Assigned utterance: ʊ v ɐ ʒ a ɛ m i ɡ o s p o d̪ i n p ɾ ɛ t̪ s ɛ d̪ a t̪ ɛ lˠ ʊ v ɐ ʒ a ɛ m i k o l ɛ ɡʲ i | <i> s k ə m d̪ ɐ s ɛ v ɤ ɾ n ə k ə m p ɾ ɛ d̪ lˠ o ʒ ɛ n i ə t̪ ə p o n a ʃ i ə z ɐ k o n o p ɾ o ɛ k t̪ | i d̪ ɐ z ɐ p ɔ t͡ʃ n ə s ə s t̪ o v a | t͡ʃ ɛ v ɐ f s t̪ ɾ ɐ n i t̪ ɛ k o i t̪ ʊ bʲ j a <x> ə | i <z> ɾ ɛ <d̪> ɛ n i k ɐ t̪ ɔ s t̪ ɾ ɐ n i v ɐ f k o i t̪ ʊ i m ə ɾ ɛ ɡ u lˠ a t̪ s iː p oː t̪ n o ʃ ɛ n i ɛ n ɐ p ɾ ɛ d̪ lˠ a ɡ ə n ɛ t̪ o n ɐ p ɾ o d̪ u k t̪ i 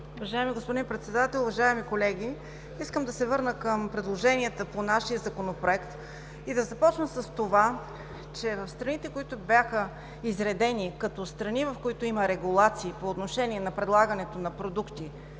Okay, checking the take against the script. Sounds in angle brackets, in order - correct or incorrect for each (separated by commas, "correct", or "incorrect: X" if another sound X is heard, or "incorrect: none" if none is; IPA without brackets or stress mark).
correct, correct, correct, correct